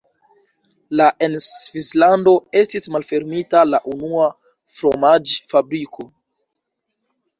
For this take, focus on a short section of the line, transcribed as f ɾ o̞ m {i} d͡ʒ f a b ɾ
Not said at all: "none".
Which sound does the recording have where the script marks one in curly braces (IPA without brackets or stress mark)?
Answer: a